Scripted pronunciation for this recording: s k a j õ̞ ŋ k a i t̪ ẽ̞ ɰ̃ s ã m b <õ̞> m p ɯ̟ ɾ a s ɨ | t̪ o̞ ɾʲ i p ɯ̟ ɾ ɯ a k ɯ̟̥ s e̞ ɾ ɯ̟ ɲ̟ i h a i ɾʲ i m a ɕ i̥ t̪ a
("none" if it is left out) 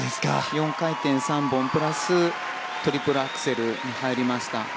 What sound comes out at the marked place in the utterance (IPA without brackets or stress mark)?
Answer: õ̞